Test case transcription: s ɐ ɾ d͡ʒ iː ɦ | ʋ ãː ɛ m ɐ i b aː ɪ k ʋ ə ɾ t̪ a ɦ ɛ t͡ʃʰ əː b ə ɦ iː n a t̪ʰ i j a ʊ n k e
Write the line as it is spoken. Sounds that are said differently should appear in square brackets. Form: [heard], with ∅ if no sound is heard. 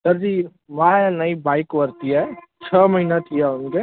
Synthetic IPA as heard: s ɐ ɾ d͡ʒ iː [∅] | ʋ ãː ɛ [n] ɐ i b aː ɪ k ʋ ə ɾ t̪ [i] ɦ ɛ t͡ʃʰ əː [m] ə ɦ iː n a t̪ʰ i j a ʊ n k e